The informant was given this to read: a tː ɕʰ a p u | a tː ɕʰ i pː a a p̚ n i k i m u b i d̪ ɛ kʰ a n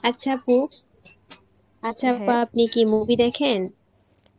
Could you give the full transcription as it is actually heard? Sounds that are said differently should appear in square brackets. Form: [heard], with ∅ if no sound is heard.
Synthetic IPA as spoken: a tː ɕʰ a p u | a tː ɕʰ [a] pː a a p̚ n i k i m u b i d̪ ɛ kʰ [e] n